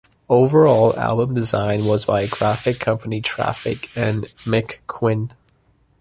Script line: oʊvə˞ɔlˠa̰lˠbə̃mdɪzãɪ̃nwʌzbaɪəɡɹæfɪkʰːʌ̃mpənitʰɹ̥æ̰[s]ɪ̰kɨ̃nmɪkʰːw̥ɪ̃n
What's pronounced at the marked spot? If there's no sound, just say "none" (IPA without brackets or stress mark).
f